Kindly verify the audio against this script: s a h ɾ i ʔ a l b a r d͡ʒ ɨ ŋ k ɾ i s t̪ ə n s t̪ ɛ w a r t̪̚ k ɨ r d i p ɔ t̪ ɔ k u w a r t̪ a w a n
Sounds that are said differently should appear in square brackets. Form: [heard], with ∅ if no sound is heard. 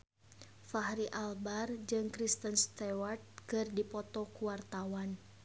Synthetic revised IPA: [f] a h ɾ i ʔ a l b a r d͡ʒ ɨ ŋ k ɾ i s t̪ ə n s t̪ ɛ w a r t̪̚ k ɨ r d i p ɔ t̪ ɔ k u w a r t̪ a w a n